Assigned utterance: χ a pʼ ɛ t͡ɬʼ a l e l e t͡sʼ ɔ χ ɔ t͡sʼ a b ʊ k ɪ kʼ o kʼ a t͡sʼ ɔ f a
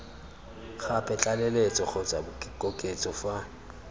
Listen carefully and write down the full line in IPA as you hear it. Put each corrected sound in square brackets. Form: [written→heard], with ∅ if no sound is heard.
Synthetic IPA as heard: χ a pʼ ɛ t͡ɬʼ a l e l e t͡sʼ ɔ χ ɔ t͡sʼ a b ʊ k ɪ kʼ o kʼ [a→e] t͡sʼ ɔ f a